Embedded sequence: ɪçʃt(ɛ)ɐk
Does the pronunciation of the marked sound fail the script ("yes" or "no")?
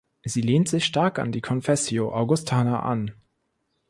yes